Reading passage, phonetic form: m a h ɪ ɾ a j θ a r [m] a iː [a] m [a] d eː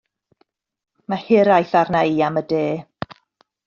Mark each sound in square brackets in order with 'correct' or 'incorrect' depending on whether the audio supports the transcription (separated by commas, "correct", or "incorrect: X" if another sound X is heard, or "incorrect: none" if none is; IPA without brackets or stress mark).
incorrect: n, correct, incorrect: ə